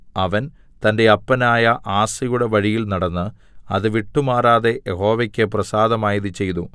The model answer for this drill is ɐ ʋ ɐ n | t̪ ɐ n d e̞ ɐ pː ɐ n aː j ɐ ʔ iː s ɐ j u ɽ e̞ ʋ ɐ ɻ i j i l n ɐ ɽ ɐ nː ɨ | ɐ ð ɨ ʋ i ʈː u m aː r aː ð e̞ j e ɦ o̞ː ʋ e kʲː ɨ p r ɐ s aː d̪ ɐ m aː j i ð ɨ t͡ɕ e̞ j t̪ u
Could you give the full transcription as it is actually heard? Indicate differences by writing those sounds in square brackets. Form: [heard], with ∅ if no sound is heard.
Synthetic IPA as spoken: ɐ ʋ ɐ n | t̪ ɐ n d e̞ ɐ pː ɐ n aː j ɐ ʔ [aː] s ɐ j u ɽ e̞ ʋ ɐ ɻ i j i l n ɐ ɽ ɐ nː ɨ | ɐ ð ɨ ʋ i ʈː u m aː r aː ð e̞ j e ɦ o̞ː ʋ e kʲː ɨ p r ɐ s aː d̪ ɐ m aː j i ð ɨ t͡ɕ e̞ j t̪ u